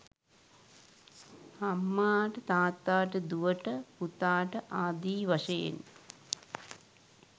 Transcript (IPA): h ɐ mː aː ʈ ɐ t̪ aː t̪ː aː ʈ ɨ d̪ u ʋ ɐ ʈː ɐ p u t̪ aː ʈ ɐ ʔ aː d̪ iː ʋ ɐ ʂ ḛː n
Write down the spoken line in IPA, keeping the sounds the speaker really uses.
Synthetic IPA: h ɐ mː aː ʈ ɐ t̪ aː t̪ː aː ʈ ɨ d̪ u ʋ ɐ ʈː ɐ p u t̪ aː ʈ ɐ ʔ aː d̪ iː ʋ ɐ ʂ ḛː n